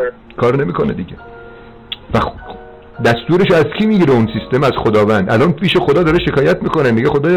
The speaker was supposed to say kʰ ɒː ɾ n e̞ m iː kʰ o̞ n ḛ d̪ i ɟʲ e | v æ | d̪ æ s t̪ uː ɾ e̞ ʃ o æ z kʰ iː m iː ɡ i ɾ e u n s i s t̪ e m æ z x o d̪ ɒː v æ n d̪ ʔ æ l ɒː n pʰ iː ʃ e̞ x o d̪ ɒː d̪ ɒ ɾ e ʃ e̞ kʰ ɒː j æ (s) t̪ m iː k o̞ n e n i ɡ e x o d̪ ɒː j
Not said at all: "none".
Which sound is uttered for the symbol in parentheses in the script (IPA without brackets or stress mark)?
none